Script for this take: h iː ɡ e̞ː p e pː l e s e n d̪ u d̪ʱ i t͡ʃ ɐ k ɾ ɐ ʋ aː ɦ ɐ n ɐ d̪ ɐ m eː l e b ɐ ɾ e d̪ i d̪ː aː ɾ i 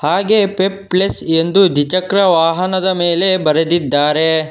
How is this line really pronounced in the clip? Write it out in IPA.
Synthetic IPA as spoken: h aː ɡ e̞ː p e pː l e s e n d̪ u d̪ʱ i t͡ʃ ɐ k ɾ ɐ ʋ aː ɦ ɐ n ɐ d̪ ɐ m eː l e b ɐ ɾ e d̪ i d̪ː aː ɾ e